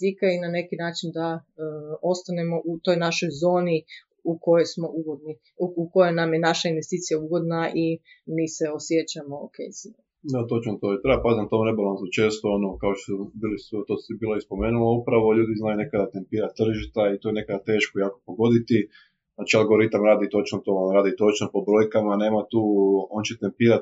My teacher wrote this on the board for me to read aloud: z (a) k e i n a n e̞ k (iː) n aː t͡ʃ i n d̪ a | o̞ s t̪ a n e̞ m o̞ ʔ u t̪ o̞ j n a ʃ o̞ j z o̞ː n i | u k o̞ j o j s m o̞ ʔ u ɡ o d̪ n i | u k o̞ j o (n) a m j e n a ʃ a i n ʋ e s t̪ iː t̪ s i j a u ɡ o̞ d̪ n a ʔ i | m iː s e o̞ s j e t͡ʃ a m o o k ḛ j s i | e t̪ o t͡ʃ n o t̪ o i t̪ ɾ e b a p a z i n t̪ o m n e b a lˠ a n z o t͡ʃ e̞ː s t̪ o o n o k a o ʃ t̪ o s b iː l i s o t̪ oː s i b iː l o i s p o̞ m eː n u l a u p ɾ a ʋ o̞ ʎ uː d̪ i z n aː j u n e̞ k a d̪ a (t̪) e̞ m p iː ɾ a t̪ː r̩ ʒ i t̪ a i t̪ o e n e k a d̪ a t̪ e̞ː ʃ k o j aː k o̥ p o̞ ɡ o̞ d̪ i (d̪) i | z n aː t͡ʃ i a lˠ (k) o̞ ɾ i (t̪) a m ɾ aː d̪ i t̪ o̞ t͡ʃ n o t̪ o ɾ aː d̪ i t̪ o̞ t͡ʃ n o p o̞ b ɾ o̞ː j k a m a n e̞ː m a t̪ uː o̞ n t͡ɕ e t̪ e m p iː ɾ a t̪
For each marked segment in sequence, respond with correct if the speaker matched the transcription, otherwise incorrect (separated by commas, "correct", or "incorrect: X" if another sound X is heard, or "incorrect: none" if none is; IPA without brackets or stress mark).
incorrect: i, incorrect: i, correct, correct, incorrect: t̪, incorrect: ɡ, correct